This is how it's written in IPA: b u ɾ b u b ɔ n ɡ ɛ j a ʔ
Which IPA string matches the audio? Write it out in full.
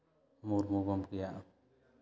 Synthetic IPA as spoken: m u ɾ m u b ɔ m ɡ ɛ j a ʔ